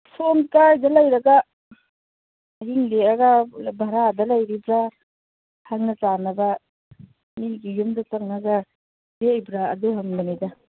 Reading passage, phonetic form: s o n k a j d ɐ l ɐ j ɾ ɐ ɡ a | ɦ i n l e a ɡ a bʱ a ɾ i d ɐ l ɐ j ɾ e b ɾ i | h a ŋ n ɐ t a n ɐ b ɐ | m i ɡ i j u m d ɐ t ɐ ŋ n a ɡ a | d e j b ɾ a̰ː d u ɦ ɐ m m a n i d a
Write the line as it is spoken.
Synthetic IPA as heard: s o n k a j d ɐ l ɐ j ɾ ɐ ɡ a | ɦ i ŋ l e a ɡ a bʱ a ɾ a d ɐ l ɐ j ɾ i b ɾ a | h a ŋ n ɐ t a n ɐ b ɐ | m i ɡ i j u m d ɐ t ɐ ŋ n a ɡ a | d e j b ɾ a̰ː d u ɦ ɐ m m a n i d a